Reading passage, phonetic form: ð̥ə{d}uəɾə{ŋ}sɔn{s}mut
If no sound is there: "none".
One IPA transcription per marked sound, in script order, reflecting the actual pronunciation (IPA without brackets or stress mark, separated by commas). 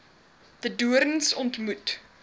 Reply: d, n, t